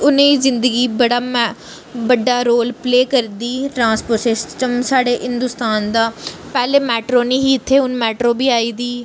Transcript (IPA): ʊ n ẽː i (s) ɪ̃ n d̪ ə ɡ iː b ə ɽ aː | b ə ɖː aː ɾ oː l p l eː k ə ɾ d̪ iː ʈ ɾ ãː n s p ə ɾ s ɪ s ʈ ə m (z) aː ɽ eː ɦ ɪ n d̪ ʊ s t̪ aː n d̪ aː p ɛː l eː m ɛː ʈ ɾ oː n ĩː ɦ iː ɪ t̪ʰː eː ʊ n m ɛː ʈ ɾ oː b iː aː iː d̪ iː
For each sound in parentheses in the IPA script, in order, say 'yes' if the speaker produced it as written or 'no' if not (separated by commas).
no, no